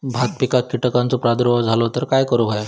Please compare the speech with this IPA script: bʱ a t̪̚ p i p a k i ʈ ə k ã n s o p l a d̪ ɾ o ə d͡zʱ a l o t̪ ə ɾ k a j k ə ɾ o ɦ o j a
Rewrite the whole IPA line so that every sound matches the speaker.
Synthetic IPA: bʱ a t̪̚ p i k a k i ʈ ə k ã n t͡s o p ɾ a d̪ ɾ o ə d͡zʱ a l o t̪ ə ɾ k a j k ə ɾ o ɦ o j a